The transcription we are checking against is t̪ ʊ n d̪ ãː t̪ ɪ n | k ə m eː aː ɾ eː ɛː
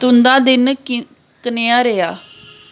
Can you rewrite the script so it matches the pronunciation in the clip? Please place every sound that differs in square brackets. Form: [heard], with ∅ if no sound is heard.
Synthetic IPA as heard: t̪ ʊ n d̪ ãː [d̪] ɪ n | k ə [n] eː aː ɾ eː [aː]